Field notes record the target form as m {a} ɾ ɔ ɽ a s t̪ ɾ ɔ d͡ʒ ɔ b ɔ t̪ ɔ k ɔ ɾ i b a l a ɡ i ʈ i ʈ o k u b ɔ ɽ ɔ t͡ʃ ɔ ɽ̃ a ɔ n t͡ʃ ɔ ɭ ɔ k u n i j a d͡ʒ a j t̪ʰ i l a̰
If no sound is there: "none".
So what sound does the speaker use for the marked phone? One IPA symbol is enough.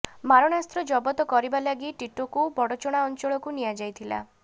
a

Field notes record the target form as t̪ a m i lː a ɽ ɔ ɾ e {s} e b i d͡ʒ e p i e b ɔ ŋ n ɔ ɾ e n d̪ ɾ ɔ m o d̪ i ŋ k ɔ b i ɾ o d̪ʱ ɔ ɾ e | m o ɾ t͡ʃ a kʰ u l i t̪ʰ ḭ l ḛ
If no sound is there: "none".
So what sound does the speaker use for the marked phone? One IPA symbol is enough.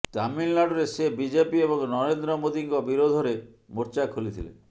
s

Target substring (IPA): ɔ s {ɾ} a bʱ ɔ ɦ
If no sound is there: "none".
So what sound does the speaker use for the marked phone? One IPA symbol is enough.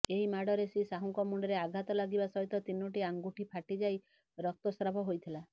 ɾ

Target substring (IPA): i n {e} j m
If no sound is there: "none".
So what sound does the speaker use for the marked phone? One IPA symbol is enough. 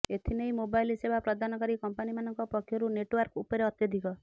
e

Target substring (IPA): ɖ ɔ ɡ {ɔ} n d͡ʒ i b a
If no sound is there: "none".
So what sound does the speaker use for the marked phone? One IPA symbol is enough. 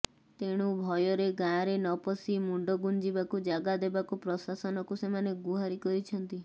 u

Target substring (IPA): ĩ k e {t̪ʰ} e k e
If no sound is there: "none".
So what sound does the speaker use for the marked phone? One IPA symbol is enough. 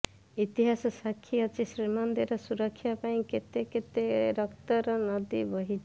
t̪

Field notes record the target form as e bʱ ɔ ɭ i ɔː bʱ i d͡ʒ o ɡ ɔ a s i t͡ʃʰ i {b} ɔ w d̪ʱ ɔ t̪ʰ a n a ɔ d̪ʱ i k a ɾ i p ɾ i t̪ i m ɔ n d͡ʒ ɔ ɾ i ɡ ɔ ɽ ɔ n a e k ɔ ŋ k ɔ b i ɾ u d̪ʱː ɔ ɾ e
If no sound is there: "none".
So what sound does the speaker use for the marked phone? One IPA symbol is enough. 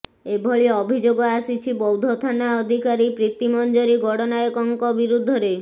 b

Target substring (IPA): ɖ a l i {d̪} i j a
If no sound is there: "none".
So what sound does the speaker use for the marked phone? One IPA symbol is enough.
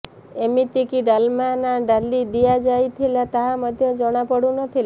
d̪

